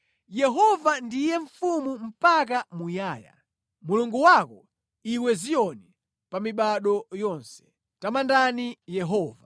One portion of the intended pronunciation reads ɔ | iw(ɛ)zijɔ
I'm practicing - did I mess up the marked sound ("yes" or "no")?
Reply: no